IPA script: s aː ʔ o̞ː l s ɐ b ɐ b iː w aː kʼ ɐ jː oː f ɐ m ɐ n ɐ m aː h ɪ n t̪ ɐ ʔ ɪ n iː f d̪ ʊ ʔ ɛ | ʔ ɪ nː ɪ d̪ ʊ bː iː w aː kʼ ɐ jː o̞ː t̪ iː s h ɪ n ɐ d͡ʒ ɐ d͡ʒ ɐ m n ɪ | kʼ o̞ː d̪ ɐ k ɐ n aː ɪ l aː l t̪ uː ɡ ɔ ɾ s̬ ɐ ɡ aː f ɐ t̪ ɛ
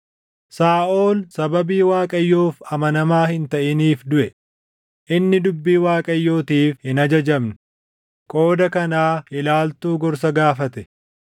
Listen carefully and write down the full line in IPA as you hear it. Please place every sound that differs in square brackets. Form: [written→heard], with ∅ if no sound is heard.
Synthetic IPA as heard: s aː ʔ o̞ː l s ɐ b ɐ b iː w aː kʼ ɐ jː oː f ɐ m ɐ n ɐ m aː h ɪ n t̪ ɐ ʔ ɪ n iː f d̪ ʊ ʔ ɛ | ʔ ɪ nː ɪ d̪ ʊ bː iː w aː kʼ ɐ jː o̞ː t̪ iː [s→f] h ɪ n ɐ d͡ʒ ɐ d͡ʒ ɐ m n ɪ | kʼ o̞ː d̪ ɐ k ɐ n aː ɪ l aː l t̪ uː ɡ ɔ ɾ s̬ ɐ ɡ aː f ɐ t̪ ɛ